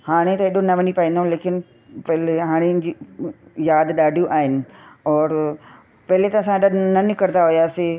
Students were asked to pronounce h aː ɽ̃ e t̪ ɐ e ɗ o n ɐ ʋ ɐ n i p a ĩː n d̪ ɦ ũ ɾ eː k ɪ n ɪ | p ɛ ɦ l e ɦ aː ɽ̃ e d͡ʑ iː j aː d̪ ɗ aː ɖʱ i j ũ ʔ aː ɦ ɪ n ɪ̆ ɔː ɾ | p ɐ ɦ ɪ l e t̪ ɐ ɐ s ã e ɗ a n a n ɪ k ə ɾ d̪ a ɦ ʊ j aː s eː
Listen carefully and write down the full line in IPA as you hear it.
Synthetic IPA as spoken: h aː ɽ̃ e t̪ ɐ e ɗ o n ɐ ʋ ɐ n i p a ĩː n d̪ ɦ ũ l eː k ɪ n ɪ | p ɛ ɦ l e ɦ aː ɽ̃ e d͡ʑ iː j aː d̪ ɗ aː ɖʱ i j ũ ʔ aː ɦ ɪ n ɪ̆ ɔː ɾ | p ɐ ɦ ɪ l e t̪ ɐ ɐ s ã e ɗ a n ɐ n ɪ k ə ɾ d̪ a ɦ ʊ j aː s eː